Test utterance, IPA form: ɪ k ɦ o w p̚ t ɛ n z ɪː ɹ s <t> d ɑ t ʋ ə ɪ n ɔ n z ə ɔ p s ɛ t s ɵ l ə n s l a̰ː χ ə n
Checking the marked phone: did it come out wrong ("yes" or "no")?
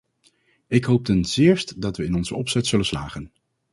no